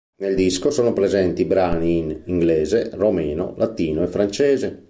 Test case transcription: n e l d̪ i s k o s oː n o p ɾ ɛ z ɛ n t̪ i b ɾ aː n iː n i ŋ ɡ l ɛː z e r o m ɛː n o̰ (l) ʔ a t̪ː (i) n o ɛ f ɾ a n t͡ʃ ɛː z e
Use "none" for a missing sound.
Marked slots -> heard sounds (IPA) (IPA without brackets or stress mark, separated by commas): l, iː